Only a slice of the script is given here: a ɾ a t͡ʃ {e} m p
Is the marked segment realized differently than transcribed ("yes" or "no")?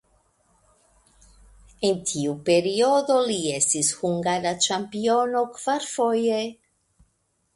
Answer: yes